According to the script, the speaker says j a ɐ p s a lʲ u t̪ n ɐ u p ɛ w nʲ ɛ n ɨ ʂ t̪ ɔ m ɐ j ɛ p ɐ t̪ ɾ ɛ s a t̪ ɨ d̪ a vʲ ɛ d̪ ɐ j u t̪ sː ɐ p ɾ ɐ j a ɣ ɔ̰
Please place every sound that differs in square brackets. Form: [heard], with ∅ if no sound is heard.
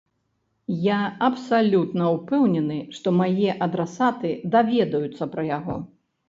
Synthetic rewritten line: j a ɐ p s a lʲ u t̪ n ɐ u p ɛ w nʲ ɛ n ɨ ʂ t̪ ɔ m [a] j ɛ [ʔ] ɐ [d̪] ɾ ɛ s a t̪ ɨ d̪ a vʲ ɛ d̪ ɐ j u t̪ sː ɐ p ɾ ɐ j a ɣ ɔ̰